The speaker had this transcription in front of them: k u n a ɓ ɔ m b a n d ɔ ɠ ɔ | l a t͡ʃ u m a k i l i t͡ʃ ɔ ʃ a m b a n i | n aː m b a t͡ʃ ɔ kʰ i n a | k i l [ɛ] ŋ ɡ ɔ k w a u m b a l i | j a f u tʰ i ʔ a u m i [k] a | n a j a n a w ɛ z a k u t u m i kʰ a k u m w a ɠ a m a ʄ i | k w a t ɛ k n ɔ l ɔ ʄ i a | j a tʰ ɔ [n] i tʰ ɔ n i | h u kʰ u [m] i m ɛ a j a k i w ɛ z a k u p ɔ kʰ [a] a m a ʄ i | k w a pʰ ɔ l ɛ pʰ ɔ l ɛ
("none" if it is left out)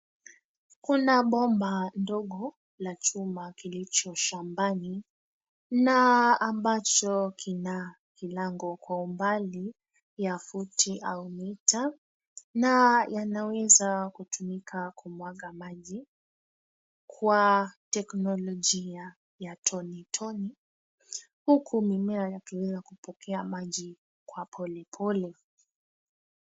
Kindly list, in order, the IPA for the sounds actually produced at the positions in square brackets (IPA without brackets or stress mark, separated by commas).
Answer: a, t, n, m, ɛ